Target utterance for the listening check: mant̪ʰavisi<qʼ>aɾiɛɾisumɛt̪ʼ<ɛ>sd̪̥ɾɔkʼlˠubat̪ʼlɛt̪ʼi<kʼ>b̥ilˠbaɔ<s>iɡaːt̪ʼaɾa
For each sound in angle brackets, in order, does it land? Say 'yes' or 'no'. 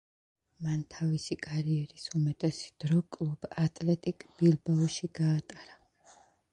no, yes, yes, no

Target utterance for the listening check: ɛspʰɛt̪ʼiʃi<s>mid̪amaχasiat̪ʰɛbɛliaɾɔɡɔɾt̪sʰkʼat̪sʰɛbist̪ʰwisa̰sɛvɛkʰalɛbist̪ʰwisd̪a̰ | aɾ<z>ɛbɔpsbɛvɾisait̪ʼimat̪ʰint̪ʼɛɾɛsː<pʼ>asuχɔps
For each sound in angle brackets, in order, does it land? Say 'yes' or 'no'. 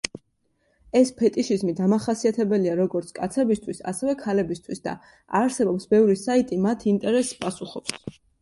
no, no, yes

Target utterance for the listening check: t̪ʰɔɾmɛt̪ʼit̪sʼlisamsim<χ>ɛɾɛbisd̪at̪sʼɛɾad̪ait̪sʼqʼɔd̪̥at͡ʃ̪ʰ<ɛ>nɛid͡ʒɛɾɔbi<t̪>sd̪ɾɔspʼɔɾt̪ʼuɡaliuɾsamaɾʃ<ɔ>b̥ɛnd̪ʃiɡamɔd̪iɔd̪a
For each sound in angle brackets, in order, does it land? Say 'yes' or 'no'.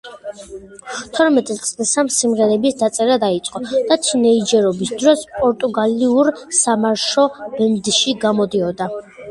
no, no, no, yes

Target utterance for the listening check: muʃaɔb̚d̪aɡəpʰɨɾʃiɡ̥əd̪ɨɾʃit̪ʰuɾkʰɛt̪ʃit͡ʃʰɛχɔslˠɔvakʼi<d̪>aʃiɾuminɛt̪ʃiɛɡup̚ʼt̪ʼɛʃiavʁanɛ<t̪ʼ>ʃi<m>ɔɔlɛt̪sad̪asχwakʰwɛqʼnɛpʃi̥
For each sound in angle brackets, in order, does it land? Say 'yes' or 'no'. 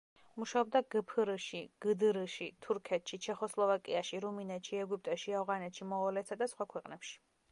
no, no, yes

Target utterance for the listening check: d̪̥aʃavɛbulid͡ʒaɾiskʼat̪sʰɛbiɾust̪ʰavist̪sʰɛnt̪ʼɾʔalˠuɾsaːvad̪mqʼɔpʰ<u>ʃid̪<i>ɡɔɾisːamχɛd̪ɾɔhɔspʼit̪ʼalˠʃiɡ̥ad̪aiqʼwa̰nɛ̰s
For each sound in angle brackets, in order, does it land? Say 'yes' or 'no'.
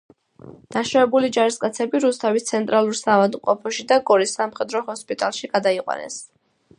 no, no

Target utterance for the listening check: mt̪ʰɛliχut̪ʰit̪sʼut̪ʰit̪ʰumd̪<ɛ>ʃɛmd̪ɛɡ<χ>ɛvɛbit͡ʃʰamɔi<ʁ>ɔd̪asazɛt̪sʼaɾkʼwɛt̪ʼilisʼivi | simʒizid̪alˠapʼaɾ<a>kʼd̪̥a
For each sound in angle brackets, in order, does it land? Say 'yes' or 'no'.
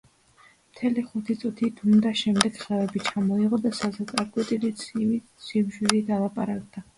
no, yes, yes, yes

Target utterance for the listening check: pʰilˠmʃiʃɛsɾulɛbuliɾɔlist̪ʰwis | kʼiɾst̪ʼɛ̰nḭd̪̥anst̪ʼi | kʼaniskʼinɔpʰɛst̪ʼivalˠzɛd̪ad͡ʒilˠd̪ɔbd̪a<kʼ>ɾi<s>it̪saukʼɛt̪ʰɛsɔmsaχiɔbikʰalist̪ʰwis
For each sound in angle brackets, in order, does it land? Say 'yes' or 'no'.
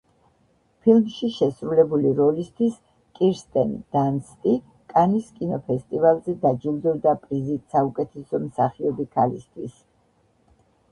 no, no

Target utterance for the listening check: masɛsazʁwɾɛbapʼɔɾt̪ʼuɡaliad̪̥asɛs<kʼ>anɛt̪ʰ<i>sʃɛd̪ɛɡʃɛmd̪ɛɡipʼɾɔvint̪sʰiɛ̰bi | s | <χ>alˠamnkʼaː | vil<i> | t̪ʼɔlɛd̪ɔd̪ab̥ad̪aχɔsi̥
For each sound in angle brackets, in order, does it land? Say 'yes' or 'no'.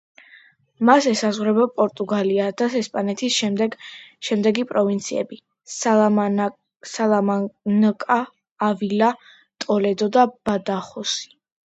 no, yes, no, no

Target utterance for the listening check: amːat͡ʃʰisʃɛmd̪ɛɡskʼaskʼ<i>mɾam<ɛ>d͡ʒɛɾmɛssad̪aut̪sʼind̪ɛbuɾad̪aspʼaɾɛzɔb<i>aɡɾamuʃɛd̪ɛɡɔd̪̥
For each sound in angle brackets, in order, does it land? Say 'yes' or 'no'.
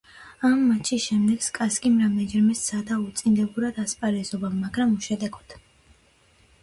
yes, yes, no

